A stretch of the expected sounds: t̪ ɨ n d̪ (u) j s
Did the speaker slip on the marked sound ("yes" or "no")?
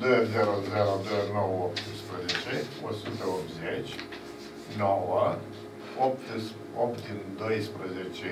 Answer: yes